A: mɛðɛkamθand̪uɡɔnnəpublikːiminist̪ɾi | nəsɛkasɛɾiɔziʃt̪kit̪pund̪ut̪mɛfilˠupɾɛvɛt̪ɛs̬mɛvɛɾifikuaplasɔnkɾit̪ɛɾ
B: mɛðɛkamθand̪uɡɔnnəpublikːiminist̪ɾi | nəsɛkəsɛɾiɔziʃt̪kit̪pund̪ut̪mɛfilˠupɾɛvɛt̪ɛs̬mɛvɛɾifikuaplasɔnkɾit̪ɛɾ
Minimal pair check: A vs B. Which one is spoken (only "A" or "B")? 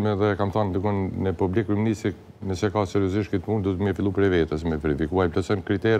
A